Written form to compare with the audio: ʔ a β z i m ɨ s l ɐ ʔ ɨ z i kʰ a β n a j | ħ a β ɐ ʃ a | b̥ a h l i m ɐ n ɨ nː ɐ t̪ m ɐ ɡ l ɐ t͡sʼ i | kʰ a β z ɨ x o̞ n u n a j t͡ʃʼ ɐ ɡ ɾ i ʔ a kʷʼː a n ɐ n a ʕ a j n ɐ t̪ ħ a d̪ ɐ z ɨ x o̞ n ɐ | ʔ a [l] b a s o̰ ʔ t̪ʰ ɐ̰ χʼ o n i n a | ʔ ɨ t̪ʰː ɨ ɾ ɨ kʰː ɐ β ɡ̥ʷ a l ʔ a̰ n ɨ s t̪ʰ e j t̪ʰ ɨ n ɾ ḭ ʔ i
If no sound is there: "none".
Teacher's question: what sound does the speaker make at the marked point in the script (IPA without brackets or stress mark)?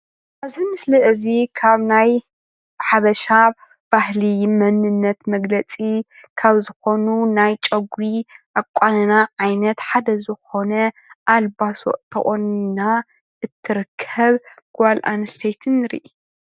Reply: l